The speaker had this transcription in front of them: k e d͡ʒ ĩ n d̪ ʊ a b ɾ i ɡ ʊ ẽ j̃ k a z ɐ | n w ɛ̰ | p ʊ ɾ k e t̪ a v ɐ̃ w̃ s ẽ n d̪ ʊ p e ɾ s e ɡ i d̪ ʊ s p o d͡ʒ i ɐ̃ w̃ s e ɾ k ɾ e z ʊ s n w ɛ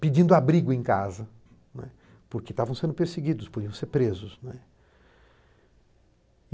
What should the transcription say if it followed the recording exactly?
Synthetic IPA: p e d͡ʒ ĩ n d̪ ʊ a b ɾ i ɡ ʊ ẽ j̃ k a z ɐ | n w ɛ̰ | p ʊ ɾ k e t̪ a v ɐ̃ w̃ s ẽ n d̪ ʊ p e ɾ s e ɡ i d̪ ʊ s p o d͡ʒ i ɐ̃ w̃ s e ɾ p ɾ e z ʊ s n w ɛ